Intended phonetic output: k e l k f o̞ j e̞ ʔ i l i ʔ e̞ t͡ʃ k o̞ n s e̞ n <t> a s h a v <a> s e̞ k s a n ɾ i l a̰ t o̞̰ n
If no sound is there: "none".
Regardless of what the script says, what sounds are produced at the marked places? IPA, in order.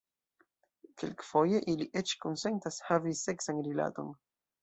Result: t, i

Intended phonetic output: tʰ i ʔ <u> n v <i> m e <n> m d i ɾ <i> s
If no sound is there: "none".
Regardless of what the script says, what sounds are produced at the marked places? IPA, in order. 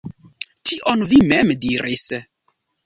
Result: o, i, none, i

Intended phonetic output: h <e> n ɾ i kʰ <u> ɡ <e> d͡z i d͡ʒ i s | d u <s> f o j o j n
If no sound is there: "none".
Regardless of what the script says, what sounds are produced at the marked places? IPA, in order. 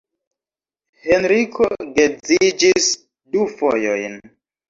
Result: e, o, e, none

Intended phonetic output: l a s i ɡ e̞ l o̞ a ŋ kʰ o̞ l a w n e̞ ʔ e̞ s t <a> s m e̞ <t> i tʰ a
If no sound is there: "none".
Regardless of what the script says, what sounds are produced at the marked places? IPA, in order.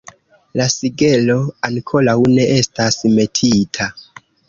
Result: a, tʰ

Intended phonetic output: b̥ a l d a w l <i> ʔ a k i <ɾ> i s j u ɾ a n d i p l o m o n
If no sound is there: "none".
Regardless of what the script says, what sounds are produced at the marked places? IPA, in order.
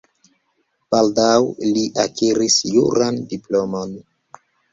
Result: i, ɾ

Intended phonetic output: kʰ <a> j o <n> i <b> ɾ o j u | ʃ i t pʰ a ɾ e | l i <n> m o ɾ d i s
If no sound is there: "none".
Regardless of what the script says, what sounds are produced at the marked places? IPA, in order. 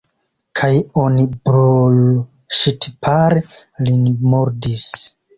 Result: a, n, b, n

